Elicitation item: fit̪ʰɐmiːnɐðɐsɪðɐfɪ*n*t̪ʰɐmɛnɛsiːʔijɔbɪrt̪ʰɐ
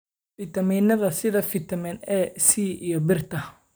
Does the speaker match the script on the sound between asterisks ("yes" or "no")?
no